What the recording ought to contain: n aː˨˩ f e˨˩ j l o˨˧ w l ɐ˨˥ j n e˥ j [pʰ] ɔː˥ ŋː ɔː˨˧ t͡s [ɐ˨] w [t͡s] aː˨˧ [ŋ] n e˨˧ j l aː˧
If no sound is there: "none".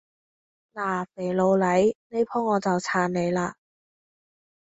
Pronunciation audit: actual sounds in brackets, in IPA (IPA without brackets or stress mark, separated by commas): pʰ, ɐ˨, t͡sʰ, n